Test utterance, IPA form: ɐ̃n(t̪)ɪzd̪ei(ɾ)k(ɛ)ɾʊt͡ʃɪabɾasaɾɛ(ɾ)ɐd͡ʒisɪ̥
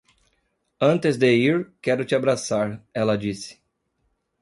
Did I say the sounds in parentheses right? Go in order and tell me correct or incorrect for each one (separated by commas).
correct, correct, correct, incorrect